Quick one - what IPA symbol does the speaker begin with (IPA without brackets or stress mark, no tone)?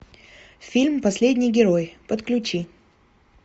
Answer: fʲ